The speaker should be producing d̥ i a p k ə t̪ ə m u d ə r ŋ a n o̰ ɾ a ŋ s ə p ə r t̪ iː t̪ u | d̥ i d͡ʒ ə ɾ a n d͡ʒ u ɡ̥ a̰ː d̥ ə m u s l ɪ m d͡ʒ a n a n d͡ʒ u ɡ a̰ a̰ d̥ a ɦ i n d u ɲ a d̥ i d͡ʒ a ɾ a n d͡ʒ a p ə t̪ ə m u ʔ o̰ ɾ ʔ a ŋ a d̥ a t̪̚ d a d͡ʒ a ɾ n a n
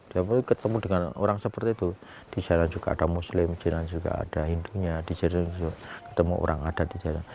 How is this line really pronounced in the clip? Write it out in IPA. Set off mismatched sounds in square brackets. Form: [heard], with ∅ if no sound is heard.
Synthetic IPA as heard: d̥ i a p k ə t̪ ə m u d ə [∅] ŋ a n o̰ ɾ a ŋ s ə p ə r t̪ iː t̪ u | d̥ i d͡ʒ [a] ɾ a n d͡ʒ u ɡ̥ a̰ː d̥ [a] m u s l ɪ m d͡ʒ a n a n d͡ʒ u ɡ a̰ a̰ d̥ a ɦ i n d u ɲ a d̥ i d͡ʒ a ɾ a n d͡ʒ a [k] ə t̪ ə m u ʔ o̰ ɾ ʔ a ŋ a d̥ a t̪̚ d [i] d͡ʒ a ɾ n a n